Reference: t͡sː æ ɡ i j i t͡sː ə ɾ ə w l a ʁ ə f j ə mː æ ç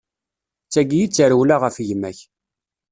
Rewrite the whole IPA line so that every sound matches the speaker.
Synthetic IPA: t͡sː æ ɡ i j i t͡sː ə ɾ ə w l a ʁ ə f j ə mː æ ç